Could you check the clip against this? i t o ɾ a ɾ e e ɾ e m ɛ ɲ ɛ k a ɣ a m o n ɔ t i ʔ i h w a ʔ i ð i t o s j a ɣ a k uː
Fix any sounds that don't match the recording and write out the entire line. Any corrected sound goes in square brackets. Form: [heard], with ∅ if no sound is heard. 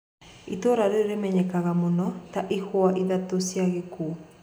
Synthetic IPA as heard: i t o ɾ a ɾ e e ɾ e m ɛ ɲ ɛ k a ɣ a m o n ɔ t [a] ʔ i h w a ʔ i ð [a] t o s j a ɣ [e] k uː

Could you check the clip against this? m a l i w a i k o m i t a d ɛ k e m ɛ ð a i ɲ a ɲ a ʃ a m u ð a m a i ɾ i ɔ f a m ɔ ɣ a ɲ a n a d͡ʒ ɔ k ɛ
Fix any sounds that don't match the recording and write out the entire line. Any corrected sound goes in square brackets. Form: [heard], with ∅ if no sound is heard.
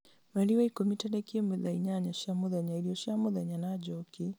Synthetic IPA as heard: m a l i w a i k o m i t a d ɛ k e m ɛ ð a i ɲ a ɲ a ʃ a m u ð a [ɲ] a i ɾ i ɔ [ʃ] a m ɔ [ð] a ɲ a n a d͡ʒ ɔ k [i]

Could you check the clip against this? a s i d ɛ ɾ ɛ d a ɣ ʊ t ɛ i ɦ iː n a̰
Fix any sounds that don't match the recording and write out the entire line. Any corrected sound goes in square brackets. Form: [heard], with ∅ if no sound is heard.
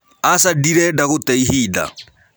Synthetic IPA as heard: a s [a] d [i] ɾ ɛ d a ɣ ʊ t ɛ i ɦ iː [d] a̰

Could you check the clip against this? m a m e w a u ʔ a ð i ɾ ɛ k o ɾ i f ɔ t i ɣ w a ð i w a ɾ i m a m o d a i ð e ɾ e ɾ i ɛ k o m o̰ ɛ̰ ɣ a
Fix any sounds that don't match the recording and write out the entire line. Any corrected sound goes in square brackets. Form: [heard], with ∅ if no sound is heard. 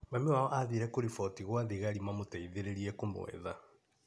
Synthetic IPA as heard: m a m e w a [ɔ] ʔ a ð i ɾ ɛ k o ɾ i f ɔ t i ɣ w a ð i [ɣ] a ɾ i m a m o [t] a i ð e ɾ e ɾ i ɛ k o m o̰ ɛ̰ [ð] a

